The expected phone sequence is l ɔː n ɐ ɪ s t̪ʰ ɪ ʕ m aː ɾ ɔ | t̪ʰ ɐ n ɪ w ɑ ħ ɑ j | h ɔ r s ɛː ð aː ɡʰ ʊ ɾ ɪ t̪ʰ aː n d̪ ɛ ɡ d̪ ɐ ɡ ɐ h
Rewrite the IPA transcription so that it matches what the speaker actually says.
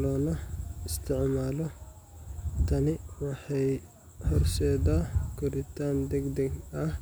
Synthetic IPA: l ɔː n ɐ ɪ s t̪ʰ ɪ ʕ m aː l ɔ | t̪ʰ ɐ n ɪ w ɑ ħ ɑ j | h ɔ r s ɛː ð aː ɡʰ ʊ ɾ ɪ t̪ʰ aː n d̪ ɛ ɡ d̪ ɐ ɡ ɐ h